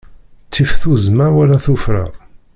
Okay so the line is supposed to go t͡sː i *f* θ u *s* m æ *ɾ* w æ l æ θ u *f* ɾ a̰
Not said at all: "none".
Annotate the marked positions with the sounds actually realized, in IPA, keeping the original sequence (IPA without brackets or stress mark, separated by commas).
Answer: f, z, ɾ, f